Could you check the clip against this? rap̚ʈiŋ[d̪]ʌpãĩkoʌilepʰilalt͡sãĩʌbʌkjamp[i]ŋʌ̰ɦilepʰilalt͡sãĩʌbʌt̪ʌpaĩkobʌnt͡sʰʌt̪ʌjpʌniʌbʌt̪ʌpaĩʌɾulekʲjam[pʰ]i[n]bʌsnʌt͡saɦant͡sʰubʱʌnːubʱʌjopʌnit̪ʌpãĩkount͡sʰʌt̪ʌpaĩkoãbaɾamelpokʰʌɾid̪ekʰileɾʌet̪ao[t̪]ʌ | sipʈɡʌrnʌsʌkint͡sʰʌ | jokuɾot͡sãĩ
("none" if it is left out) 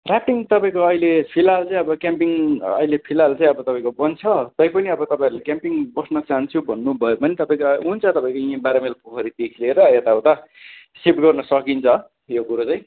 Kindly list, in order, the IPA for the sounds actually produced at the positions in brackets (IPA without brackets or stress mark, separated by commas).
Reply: t̪, i, p, ŋ, t̪